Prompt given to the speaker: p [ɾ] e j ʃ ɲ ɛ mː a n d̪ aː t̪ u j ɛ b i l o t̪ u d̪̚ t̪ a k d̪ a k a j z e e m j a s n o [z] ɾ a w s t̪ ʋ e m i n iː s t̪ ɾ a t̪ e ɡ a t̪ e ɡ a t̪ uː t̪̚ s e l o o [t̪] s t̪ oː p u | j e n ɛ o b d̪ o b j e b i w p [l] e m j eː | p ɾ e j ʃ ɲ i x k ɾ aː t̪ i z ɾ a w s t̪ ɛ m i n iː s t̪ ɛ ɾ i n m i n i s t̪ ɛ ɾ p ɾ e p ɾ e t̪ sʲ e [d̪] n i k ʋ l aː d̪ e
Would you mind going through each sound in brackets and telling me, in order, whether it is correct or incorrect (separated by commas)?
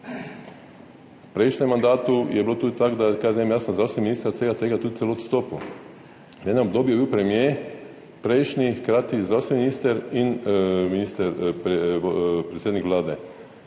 correct, correct, correct, incorrect, correct